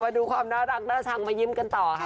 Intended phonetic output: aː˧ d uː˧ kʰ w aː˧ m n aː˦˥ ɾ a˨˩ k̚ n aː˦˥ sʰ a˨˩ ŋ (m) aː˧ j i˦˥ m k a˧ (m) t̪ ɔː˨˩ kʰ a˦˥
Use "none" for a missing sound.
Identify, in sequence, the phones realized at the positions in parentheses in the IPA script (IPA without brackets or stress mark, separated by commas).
m, n